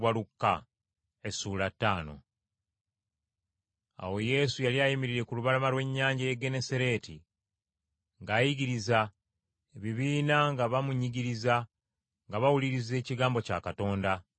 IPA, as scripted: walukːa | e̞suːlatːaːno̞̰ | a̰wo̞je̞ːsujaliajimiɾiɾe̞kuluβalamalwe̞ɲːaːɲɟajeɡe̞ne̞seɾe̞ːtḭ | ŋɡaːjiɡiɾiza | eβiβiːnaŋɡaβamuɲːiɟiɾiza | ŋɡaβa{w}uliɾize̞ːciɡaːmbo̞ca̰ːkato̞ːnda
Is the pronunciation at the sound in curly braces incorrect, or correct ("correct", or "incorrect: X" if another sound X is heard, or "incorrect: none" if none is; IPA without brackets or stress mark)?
correct